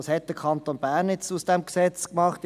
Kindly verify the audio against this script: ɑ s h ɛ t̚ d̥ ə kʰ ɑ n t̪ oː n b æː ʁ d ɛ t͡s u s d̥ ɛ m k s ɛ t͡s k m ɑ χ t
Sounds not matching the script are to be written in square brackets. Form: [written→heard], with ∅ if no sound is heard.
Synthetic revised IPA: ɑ s h ɛ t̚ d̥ ə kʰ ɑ n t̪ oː n b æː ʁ [d→n] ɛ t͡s u s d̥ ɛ m k s ɛ t͡s k m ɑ χ t